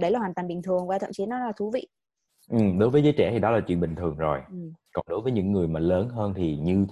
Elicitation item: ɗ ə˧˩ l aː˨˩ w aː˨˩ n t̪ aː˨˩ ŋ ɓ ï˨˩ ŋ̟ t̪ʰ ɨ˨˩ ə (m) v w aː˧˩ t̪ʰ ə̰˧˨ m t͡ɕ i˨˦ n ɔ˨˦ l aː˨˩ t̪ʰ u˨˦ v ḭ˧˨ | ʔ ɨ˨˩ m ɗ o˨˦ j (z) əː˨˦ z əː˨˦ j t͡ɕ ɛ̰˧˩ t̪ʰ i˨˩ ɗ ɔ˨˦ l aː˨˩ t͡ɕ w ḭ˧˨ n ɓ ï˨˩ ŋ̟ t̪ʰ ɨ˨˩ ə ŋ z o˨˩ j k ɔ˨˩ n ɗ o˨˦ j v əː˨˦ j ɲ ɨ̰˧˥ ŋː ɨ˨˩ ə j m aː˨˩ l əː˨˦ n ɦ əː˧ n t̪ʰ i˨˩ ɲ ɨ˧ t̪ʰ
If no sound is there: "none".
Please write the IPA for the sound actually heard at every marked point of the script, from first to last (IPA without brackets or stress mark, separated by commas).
ŋ, v